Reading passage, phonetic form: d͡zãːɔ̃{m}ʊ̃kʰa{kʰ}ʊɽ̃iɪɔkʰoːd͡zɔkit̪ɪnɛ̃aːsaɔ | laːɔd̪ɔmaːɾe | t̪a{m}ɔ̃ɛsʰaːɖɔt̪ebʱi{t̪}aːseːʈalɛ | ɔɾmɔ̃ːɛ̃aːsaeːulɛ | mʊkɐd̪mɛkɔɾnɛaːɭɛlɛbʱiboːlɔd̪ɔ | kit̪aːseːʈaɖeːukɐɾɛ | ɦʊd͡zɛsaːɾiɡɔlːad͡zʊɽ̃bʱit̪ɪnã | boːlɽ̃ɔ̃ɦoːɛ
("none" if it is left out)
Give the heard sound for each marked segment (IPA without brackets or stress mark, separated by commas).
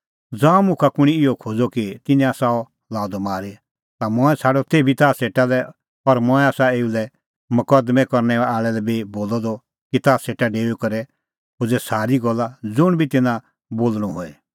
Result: m, k, m, t̪